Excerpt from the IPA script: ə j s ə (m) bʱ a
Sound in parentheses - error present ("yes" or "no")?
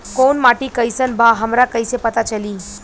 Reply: yes